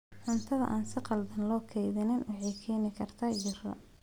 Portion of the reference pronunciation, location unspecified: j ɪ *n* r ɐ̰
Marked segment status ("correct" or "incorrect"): incorrect